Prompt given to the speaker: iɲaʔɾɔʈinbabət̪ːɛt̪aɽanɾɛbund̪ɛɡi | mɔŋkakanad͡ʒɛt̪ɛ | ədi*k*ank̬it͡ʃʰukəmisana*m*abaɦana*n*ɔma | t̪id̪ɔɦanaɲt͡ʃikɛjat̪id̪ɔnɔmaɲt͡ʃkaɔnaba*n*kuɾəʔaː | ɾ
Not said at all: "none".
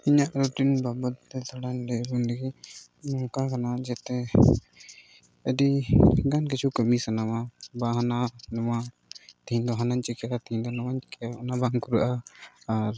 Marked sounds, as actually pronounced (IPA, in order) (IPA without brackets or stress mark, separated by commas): ɡ, m, n, ŋ